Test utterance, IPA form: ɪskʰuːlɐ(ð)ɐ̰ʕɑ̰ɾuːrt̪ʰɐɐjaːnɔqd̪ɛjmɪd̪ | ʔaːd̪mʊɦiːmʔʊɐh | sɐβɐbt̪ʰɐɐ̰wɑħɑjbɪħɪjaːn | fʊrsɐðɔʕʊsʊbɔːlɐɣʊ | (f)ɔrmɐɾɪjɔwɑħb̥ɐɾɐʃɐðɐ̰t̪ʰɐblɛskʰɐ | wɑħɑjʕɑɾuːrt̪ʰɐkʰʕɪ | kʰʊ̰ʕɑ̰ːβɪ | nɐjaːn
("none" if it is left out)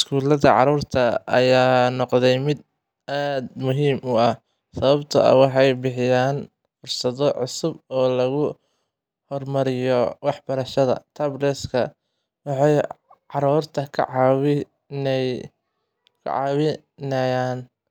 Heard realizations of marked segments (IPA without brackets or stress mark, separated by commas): ð, h